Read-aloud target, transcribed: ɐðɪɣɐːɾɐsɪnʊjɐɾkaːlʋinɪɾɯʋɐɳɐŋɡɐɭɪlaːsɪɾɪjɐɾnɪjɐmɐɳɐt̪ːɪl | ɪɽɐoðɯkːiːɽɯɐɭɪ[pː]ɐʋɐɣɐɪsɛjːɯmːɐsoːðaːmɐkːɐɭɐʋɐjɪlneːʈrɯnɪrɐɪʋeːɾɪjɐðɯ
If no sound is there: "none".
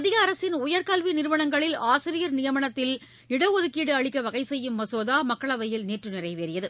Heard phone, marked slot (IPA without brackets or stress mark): kː